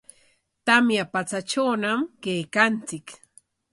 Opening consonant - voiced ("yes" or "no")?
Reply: no